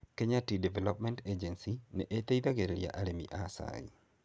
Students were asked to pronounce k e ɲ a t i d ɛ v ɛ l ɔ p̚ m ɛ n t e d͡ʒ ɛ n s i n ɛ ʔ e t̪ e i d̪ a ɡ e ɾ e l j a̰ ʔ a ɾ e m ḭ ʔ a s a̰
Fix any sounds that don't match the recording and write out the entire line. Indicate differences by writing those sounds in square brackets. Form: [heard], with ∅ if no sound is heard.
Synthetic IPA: k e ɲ a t i d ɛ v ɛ l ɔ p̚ m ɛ n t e d͡ʒ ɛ n s i n ɛ ʔ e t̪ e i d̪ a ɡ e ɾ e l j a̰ ʔ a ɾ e m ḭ ʔ a s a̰